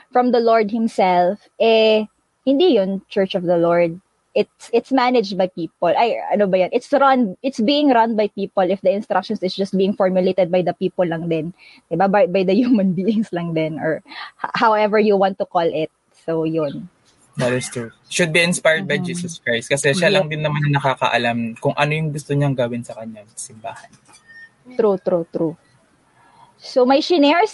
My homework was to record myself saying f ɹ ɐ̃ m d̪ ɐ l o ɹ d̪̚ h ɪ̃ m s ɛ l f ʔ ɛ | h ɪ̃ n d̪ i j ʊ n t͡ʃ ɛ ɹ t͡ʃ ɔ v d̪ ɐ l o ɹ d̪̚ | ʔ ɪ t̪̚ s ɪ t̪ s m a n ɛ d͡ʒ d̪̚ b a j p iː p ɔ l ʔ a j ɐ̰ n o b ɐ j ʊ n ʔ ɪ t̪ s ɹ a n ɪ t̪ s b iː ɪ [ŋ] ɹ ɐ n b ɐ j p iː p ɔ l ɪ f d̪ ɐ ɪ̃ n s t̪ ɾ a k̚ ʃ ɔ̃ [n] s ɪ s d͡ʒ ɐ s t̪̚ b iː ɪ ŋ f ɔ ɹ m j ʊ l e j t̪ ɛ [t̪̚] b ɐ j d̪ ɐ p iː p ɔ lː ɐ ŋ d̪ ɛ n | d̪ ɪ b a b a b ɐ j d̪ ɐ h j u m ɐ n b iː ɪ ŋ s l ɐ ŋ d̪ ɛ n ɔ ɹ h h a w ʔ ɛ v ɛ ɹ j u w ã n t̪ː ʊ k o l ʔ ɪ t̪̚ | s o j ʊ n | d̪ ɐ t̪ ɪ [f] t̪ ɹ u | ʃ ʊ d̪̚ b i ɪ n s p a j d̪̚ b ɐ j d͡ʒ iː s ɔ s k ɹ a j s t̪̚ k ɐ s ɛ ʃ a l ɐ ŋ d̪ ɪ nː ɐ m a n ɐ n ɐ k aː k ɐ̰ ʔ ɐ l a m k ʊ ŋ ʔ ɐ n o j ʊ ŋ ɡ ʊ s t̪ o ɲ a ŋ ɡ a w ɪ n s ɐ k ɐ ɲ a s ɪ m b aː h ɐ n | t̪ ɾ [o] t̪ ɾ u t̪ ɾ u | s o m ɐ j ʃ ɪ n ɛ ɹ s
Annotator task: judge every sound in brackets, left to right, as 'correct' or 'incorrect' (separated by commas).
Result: correct, correct, incorrect, incorrect, incorrect